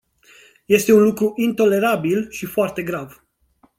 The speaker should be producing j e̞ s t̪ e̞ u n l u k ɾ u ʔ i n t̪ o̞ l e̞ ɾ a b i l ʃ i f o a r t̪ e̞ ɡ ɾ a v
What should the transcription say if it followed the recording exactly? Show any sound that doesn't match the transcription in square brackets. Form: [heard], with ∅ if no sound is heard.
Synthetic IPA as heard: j e̞ s t̪ e̞ u n l u k ɾ u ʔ i n t̪ o̞ l e̞ ɾ a b i l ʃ i f o a r t̪ e̞ ɡ ɾ a v